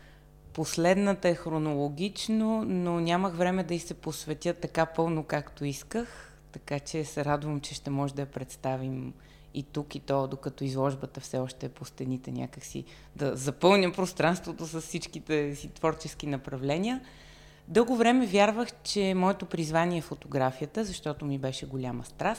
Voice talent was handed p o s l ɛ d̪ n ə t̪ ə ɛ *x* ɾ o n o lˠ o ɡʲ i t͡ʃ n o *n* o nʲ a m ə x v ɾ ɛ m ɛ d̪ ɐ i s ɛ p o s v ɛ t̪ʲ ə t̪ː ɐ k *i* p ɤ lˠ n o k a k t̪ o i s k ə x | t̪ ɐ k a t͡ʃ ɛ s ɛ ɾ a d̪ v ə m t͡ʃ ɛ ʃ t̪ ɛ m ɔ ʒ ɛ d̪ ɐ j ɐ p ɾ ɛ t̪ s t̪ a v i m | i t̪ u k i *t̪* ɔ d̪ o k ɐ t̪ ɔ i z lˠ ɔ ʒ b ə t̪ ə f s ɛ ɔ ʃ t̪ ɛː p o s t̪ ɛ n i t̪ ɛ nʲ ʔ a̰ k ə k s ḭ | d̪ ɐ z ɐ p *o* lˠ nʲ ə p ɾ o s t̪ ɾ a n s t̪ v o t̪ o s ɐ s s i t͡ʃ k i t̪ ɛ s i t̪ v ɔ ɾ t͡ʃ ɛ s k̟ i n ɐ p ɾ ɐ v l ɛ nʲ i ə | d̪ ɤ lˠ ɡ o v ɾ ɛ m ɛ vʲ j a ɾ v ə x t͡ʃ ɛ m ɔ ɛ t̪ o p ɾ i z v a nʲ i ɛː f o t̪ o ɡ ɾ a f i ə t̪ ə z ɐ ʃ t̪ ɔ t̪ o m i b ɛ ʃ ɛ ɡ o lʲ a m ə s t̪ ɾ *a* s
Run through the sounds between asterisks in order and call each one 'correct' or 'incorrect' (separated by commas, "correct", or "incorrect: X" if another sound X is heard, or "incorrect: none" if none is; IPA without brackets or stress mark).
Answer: correct, correct, incorrect: a, correct, incorrect: ɤ, correct